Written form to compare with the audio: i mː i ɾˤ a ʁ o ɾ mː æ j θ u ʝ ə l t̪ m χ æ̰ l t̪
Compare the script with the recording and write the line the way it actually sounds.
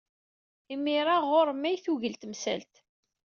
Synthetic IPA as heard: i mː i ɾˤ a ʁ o ɾ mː æ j θ u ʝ ə l t̪ m s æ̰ l t̪